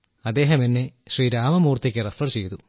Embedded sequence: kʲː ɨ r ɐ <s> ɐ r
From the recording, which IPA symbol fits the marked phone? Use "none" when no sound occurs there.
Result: f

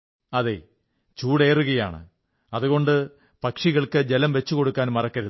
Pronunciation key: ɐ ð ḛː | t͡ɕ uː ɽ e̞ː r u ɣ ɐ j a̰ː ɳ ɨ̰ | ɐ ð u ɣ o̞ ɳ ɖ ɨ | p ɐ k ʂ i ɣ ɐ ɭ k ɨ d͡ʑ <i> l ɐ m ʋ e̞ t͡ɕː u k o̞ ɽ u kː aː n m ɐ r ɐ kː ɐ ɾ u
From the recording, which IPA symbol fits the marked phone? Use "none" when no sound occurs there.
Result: e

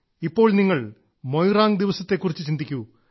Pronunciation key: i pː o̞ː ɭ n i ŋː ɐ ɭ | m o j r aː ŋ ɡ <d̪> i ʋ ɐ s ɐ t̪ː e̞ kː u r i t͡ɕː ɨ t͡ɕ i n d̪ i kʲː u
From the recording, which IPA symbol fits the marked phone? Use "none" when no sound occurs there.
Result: d̪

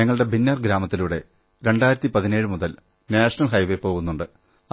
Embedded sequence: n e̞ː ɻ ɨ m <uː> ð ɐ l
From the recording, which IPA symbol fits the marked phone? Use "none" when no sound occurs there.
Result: u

